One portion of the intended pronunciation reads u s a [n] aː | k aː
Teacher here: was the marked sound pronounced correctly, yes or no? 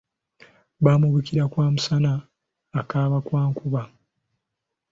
yes